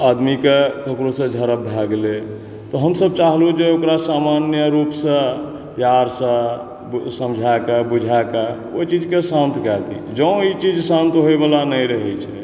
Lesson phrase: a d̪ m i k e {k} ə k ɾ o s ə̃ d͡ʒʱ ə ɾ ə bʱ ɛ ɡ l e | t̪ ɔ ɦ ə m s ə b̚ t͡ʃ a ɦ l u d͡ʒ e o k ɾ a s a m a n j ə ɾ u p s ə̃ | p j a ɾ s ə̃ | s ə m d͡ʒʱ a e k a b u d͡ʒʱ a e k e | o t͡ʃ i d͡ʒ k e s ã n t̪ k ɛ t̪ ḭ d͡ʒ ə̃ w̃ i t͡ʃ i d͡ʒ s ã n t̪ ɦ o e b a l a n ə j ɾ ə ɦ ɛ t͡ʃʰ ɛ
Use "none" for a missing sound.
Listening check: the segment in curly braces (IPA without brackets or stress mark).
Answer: k